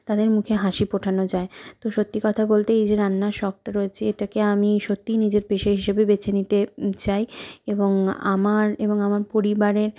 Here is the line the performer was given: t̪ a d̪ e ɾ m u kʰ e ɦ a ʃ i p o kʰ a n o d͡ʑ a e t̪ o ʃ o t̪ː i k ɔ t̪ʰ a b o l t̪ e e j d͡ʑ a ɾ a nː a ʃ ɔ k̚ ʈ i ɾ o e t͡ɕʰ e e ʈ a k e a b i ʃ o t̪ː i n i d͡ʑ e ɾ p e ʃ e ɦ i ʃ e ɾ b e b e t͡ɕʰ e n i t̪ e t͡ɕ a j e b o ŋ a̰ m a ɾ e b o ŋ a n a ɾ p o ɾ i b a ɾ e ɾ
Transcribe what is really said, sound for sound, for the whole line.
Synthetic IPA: t̪ a d̪ e ɾ m u kʰ e ɦ a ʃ i p o ʈʰ a n o d͡ʑ a e t̪ o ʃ o t̪ː i k ɔ t̪ʰ a b o l t̪ e e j d͡ʑ e ɾ a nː a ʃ ɔ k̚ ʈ a ɾ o e t͡ɕʰ e e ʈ a k e a m i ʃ o t̪ː i n i d͡ʑ e ɾ p e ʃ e ɦ i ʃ e b e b e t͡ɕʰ e n i t̪ e t͡ɕ a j e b o ŋ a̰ m a ɾ e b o ŋ a m a ɾ p o ɾ i b a ɾ e ɾ